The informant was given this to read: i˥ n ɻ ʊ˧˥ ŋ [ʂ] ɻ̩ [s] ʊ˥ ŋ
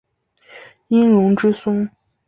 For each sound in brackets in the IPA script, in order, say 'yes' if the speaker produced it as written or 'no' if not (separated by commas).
no, yes